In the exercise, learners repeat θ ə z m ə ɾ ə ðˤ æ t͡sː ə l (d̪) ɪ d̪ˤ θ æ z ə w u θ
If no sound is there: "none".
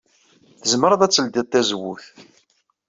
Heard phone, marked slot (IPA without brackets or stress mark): d̪